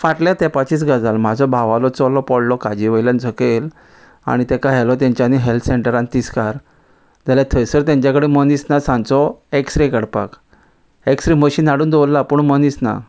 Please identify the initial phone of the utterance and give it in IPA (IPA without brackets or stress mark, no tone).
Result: f